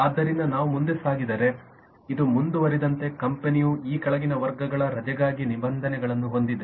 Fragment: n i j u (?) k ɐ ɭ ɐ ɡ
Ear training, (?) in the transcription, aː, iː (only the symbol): iː